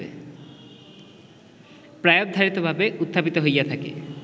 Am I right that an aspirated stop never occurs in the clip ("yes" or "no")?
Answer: no